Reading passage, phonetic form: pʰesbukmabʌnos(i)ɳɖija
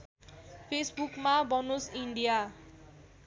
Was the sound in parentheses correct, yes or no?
yes